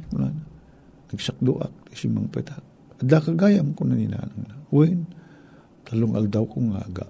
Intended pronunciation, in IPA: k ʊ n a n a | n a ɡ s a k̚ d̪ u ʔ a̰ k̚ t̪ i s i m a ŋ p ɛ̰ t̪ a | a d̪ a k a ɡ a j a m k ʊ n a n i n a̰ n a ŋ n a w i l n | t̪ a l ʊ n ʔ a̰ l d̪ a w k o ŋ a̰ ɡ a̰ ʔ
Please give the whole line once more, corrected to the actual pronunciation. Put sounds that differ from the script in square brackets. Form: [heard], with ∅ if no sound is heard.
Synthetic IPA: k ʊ n a n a | n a ɡ s a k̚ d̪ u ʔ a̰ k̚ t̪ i s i m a ŋ p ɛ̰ t̪ a | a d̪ a k a ɡ a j a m k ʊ n a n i n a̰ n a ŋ n a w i [∅] n | t̪ a l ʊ [ŋ] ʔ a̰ l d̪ a w k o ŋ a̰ ɡ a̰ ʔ